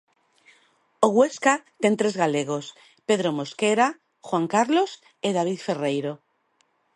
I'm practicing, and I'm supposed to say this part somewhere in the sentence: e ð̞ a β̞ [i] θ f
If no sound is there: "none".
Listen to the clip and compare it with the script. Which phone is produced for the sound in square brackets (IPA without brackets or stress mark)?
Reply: i